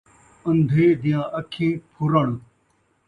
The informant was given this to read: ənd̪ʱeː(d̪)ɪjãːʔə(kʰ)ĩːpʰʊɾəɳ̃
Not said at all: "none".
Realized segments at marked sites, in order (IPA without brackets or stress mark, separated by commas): d̪, kʰ